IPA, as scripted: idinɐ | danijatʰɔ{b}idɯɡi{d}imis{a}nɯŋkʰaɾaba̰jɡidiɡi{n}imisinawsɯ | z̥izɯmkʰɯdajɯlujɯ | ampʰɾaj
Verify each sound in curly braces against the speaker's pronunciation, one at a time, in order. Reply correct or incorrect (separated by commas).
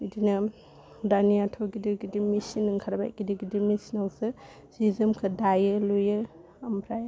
incorrect, correct, incorrect, incorrect